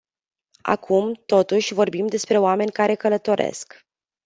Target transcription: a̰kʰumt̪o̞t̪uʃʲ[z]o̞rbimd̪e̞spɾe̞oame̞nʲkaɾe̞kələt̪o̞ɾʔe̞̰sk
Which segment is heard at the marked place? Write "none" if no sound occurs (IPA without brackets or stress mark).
v